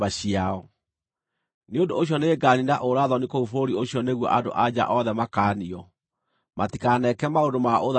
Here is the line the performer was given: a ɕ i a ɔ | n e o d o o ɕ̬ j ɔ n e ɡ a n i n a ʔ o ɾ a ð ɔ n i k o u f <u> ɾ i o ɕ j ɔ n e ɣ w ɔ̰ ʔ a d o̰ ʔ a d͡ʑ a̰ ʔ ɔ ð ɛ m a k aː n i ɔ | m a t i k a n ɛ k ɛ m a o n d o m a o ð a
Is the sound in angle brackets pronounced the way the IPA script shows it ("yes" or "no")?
no